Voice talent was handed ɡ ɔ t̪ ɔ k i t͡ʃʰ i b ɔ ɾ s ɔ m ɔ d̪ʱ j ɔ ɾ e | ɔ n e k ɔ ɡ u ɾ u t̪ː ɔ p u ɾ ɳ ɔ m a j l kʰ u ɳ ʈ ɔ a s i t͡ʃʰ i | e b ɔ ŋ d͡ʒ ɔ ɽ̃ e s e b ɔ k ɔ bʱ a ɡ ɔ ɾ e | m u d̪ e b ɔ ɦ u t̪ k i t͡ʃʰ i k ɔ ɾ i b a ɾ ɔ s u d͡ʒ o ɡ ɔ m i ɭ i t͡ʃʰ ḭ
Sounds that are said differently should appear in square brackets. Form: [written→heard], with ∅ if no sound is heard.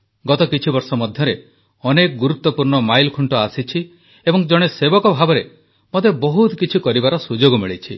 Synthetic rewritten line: ɡ ɔ t̪ ɔ k i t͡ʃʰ i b ɔ ɾ s ɔ m ɔ d̪ʱ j ɔ ɾ e | ɔ n e k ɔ ɡ u ɾ u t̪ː ɔ p u ɾ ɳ ɔ m a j l kʰ u ɳ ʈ ɔ a s i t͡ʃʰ i | e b ɔ ŋ d͡ʒ ɔ ɽ̃ e s e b ɔ k ɔ bʱ a [ɡ→b] ɔ ɾ e | m [u→o] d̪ e b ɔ ɦ u t̪ k i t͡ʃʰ i k ɔ ɾ i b a ɾ ɔ s u d͡ʒ o ɡ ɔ m i ɭ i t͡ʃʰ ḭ